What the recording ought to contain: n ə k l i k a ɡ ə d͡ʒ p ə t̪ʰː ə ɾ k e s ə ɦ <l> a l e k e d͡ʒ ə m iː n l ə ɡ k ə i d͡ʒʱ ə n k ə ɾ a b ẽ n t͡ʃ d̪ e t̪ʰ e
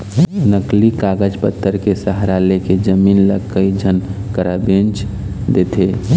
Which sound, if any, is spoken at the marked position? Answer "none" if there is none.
ɾ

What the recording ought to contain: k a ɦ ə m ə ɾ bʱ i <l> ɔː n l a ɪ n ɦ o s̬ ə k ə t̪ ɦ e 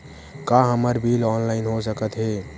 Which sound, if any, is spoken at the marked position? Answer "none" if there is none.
l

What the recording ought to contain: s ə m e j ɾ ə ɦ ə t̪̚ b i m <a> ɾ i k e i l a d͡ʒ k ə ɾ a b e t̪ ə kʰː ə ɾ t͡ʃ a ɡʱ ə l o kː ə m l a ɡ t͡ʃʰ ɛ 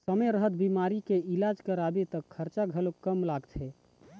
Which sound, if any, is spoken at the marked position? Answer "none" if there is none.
a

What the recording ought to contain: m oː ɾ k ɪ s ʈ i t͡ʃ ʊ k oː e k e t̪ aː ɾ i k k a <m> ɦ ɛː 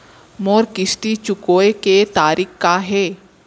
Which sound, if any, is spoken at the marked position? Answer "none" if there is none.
none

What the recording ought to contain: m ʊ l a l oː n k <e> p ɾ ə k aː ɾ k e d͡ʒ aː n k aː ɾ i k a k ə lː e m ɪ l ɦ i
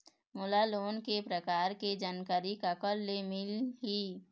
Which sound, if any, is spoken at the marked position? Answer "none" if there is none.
e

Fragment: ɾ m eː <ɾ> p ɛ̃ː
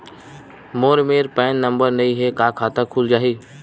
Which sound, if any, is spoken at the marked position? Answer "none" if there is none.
ɾ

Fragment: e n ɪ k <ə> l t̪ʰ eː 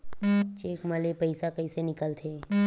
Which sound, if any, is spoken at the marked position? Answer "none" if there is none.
ə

